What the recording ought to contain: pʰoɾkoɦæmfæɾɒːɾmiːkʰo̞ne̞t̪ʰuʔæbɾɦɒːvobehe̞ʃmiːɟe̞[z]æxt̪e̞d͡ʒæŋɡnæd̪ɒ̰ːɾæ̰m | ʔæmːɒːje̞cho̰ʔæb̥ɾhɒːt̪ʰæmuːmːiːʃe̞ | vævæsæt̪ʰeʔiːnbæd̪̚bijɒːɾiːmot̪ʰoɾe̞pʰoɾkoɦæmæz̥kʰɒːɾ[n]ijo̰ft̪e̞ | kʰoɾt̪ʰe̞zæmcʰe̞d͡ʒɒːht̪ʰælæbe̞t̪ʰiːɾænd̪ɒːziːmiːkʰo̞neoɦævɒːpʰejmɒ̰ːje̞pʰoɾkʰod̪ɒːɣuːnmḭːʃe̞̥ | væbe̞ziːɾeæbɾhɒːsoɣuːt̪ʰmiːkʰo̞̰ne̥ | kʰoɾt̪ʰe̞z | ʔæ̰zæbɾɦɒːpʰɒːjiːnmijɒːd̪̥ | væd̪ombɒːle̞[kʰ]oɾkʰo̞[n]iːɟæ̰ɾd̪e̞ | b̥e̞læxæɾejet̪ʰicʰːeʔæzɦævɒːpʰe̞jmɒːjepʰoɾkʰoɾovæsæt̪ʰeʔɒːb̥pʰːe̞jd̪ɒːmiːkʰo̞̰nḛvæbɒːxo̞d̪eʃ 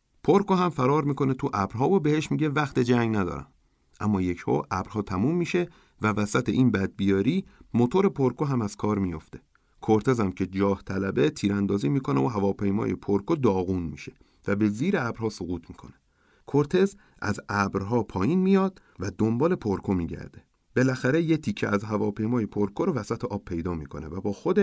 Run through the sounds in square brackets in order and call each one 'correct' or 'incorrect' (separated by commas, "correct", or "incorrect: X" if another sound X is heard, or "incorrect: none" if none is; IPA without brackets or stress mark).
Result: incorrect: v, incorrect: m, incorrect: pʰ, incorrect: m